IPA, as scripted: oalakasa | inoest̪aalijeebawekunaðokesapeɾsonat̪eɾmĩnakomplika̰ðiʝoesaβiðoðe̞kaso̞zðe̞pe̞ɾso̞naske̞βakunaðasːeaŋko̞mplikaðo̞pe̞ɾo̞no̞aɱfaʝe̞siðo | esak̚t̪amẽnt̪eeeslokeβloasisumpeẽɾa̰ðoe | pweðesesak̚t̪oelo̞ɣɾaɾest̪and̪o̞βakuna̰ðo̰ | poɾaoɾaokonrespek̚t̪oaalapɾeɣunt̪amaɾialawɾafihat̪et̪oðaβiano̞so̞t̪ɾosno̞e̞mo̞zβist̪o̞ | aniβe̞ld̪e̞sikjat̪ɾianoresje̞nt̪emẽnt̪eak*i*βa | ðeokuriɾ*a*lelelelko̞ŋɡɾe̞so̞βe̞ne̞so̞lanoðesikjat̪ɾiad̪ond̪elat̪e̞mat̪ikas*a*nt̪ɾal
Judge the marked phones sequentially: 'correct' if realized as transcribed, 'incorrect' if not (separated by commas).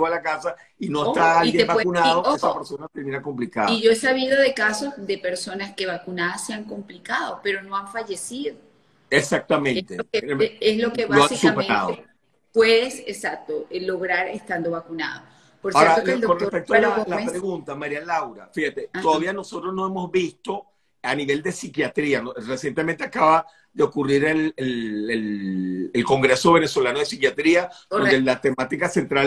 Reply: incorrect, incorrect, incorrect